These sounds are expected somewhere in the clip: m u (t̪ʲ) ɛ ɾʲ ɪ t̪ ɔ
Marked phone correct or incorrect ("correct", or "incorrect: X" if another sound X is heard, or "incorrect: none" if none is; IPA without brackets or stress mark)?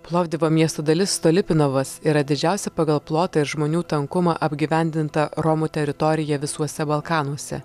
correct